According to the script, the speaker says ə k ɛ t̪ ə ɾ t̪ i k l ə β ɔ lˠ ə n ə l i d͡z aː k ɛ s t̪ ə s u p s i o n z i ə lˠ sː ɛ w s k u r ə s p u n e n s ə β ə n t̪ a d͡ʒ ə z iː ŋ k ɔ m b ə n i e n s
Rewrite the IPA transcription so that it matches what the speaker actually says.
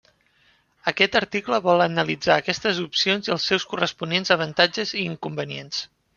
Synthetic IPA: ə k ɛ t̪ ə ɾ t̪ i k l ə β ɔ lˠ ə n ə l i d͡z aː k ɛ s t̪ ə z u p s i o n z i ə lˠ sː ɛ w s k u r ə s p u n e n z ə β ə n t̪ a d͡ʒ ə z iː ŋ k u m b ə n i e n s